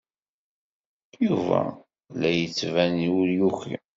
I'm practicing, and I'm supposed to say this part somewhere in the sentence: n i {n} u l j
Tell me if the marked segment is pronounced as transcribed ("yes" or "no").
no